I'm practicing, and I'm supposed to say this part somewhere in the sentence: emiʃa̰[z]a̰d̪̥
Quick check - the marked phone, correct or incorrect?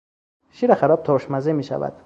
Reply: incorrect